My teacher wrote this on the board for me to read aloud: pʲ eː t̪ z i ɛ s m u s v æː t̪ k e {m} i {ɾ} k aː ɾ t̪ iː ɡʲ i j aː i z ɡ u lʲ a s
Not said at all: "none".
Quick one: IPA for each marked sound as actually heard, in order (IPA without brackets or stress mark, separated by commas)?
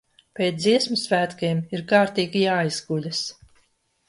m, ɾ